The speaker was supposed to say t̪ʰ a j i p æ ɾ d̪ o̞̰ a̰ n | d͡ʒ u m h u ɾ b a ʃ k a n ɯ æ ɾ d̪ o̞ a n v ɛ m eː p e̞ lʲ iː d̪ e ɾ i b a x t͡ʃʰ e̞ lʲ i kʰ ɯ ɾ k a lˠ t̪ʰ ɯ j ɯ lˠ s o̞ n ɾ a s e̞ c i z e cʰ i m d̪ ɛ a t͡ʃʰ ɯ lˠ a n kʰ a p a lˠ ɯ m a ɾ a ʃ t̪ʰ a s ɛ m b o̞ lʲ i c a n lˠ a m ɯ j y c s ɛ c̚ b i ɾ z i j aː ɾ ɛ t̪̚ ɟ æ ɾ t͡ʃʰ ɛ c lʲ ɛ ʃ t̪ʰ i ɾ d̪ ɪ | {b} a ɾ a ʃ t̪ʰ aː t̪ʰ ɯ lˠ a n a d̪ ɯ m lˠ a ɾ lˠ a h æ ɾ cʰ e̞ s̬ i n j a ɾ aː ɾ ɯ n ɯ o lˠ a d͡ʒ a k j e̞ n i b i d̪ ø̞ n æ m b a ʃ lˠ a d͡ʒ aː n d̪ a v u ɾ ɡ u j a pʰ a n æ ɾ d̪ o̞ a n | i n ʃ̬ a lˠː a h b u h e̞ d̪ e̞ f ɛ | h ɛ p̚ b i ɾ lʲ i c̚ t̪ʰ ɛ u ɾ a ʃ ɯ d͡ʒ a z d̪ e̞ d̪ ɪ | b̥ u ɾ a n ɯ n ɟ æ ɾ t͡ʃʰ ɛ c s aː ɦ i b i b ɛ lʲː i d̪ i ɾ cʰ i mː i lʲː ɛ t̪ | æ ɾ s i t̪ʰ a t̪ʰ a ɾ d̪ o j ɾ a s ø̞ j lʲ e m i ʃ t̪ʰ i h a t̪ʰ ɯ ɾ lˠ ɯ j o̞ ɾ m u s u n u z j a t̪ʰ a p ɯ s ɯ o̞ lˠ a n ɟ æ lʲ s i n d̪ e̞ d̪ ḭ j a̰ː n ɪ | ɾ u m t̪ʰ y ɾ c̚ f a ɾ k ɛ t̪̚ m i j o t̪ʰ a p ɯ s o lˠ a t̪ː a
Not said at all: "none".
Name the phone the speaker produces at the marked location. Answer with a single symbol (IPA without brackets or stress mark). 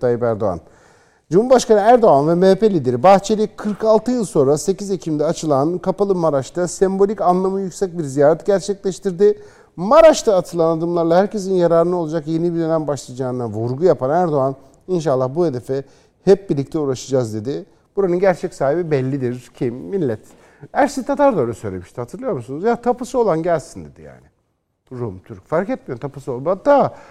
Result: m